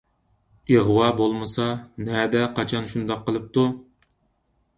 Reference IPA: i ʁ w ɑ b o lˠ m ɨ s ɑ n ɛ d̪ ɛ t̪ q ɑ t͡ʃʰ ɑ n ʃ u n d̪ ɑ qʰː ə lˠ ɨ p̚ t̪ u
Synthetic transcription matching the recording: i ʁ w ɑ b o lˠ m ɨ s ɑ n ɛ d̪ ɛ q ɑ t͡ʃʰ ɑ n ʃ u n d̪ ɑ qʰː ə lˠ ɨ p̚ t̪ u